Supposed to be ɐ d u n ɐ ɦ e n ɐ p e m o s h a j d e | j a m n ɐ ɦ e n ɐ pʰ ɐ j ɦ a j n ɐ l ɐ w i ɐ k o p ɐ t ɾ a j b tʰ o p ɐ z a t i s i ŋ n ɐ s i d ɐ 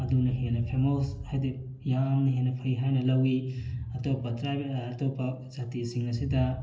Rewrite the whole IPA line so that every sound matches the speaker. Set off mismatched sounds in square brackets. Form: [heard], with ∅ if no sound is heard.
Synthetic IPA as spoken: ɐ d u n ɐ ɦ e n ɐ [pʰ] e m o s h a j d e | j a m n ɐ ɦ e n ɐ pʰ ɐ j ɦ a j n ɐ l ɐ w i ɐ [t] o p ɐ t ɾ a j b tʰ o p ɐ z a t i s i ŋ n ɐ s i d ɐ